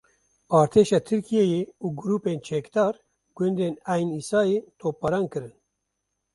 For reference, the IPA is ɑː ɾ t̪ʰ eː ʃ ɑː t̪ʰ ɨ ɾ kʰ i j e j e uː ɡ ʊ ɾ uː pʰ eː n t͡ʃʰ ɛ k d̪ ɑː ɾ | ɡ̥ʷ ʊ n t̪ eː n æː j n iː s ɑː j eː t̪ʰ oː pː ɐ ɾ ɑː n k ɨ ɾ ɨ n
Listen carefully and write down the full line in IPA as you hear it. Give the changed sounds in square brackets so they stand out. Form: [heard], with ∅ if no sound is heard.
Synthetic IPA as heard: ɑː ɾ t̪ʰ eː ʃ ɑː t̪ʰ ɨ ɾ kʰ i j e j e uː ɡ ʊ ɾ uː [p] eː n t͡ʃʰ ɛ k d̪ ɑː ɾ | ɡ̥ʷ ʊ n [d̪] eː n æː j n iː s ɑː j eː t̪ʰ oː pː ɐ ɾ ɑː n k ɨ ɾ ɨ n